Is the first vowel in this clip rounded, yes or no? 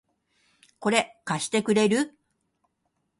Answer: yes